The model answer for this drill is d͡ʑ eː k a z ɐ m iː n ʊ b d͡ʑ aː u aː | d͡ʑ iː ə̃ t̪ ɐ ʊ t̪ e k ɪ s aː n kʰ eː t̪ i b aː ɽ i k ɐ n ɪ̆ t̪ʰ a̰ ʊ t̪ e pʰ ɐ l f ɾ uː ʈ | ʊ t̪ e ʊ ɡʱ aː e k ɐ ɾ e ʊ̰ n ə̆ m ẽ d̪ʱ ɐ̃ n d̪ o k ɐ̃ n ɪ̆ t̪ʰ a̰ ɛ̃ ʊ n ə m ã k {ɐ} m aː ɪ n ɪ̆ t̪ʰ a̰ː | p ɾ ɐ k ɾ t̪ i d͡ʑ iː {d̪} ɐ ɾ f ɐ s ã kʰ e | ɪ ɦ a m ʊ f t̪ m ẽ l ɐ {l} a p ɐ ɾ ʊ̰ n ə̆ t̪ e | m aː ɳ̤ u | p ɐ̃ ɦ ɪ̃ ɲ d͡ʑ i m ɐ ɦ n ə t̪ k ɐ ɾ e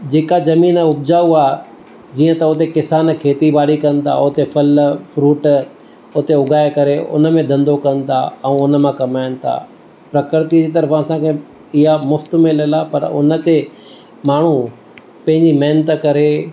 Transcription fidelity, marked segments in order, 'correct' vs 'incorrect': correct, incorrect, correct

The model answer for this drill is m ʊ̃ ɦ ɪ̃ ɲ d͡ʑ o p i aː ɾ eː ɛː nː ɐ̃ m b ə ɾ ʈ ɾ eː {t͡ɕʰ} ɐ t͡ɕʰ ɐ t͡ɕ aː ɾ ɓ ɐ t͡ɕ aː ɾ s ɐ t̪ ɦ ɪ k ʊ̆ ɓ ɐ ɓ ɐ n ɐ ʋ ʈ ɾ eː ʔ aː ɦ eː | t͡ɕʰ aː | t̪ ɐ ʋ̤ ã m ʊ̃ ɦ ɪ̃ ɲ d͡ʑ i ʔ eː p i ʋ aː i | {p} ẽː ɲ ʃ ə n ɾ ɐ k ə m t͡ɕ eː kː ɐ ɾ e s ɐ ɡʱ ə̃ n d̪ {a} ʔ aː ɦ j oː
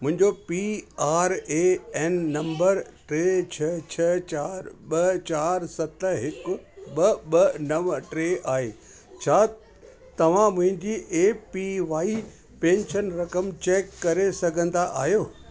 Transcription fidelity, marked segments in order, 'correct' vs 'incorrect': correct, correct, correct

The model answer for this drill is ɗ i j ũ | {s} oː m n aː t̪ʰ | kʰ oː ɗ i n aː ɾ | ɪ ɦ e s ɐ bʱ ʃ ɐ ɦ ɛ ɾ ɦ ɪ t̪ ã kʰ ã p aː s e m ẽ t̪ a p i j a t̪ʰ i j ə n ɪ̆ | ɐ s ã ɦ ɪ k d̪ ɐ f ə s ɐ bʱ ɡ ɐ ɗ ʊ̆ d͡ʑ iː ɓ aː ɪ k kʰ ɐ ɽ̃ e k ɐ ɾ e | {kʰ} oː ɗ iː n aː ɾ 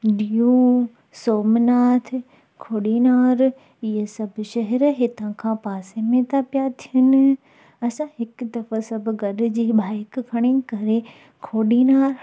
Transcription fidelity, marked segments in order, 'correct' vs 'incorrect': correct, correct

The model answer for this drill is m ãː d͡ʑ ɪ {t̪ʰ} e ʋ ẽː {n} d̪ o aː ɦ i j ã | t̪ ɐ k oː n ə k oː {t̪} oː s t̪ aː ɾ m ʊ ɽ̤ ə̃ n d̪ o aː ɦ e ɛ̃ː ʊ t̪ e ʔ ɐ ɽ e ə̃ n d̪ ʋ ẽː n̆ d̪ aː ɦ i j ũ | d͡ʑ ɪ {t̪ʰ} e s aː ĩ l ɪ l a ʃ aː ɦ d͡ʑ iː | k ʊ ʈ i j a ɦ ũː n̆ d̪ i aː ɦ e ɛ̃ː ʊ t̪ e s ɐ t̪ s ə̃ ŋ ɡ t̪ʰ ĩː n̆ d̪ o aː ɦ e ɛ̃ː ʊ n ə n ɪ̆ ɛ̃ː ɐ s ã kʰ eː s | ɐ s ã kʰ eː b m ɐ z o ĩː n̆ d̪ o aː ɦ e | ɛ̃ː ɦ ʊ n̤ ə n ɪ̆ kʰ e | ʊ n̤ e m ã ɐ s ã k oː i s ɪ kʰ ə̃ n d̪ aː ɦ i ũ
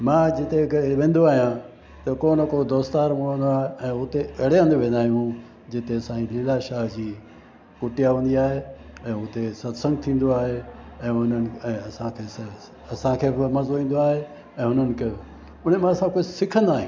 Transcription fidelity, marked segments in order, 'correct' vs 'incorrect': incorrect, correct, incorrect, incorrect

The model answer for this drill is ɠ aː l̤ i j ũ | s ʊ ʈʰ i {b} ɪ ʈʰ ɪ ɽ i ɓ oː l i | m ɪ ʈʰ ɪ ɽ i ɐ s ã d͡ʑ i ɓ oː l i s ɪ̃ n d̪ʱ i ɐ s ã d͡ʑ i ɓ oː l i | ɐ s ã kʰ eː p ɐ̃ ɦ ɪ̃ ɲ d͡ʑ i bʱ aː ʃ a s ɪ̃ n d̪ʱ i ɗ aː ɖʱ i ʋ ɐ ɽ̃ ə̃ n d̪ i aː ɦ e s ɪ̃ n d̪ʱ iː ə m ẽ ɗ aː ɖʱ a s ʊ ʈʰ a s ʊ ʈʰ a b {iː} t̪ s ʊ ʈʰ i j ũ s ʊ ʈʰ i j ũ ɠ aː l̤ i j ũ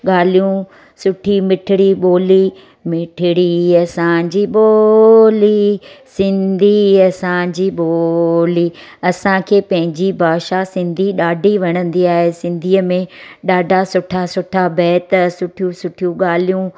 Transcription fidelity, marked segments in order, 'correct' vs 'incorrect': incorrect, incorrect

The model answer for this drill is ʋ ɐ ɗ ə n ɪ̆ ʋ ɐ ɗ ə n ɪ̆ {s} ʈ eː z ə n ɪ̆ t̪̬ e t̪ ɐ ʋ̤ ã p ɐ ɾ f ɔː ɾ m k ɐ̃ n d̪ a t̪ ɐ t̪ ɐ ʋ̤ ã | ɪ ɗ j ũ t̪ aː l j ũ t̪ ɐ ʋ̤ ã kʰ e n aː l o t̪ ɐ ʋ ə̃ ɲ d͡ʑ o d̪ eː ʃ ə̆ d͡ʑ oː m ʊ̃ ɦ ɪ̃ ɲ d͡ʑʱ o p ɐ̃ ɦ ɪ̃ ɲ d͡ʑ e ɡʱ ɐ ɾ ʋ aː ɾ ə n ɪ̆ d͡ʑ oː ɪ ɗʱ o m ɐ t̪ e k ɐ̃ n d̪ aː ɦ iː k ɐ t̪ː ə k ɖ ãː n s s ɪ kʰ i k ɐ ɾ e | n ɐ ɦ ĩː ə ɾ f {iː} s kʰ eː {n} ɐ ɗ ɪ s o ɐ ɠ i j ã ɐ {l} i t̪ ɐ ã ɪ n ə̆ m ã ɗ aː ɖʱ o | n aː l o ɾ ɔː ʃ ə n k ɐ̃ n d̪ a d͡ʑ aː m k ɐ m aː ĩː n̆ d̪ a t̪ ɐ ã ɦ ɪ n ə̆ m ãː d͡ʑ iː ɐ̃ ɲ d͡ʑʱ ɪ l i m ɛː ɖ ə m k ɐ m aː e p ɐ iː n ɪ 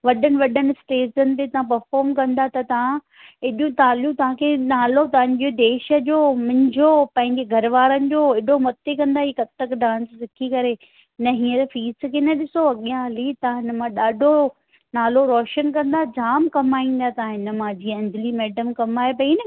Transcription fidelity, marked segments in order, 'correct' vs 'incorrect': correct, correct, correct, correct

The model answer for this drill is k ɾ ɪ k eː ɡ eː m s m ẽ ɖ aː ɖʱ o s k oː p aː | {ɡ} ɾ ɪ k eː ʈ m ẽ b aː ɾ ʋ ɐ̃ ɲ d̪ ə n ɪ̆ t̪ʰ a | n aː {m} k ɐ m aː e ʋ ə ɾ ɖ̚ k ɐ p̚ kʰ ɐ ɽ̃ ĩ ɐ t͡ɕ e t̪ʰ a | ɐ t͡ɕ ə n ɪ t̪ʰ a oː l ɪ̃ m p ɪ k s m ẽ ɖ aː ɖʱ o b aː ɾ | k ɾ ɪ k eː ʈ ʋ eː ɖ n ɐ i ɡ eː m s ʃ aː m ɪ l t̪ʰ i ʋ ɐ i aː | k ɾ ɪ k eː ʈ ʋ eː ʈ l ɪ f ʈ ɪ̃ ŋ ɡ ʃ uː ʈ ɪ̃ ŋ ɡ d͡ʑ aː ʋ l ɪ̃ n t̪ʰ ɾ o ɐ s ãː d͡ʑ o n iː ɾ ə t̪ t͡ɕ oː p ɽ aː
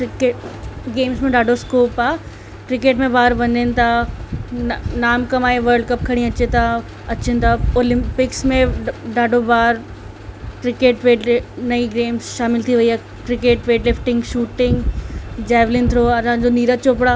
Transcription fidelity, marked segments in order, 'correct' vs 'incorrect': incorrect, correct

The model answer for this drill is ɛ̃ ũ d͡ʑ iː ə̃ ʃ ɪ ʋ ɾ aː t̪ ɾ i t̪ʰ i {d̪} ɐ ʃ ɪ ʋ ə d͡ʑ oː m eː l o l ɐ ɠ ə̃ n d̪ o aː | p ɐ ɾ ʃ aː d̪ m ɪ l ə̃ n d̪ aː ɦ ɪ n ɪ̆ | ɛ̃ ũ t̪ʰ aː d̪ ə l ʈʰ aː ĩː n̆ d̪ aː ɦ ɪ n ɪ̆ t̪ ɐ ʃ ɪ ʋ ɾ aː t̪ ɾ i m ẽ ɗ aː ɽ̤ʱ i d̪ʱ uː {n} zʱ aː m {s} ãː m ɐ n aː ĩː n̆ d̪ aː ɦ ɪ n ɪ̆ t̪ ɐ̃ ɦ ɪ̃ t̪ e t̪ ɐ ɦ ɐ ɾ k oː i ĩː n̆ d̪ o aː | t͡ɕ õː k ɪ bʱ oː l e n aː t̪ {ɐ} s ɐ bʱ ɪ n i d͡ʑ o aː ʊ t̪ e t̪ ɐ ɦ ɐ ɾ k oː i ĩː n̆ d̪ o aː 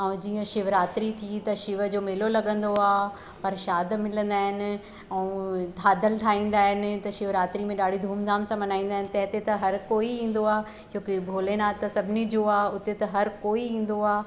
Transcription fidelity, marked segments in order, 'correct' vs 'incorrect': incorrect, incorrect, correct, correct

